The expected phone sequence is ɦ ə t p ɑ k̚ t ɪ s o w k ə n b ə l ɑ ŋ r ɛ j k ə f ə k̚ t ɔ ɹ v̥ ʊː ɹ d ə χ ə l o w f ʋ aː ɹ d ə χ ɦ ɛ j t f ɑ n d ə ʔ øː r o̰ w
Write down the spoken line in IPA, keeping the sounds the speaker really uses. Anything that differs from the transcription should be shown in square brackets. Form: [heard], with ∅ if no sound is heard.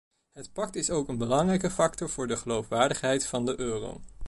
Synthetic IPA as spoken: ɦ ə t p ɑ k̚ t ɪ s o w k ə n b ə l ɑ ŋ r ɛ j k ə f [ɑ] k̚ t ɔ ɹ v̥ ʊː ɹ d ə χ ə l o w f ʋ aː ɹ d ə χ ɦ ɛ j t f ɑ n d ə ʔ øː r o̰ w